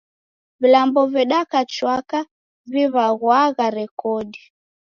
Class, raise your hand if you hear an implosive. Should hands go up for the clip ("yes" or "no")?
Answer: yes